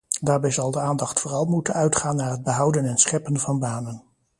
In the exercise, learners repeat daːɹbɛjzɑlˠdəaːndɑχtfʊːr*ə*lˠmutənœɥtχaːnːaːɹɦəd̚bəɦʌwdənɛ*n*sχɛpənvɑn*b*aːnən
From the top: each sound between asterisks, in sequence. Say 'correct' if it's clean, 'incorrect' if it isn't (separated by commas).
incorrect, correct, correct